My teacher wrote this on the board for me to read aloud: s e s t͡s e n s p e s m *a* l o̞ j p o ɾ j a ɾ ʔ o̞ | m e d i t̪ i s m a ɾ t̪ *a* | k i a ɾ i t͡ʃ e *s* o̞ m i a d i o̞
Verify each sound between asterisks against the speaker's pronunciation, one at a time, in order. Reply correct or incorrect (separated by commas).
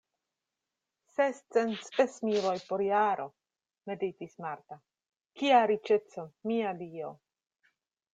incorrect, correct, incorrect